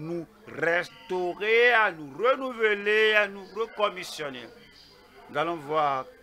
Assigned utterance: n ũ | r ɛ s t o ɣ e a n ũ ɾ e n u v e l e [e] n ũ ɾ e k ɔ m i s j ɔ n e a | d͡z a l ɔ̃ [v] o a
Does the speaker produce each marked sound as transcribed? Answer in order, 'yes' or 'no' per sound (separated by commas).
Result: no, yes